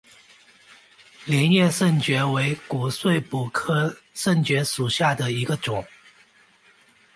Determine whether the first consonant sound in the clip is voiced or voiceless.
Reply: voiced